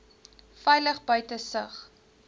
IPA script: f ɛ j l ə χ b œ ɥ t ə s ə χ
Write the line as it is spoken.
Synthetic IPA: f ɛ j l ə χ b œ ɥ t ə s ə χ